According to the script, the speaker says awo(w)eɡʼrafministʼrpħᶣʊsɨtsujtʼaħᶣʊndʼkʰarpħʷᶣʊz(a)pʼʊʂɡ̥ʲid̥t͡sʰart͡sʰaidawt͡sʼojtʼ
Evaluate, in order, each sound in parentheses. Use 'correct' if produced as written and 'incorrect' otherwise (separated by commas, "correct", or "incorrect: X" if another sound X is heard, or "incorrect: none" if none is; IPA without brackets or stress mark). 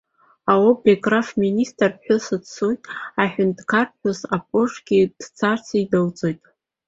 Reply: incorrect: b, correct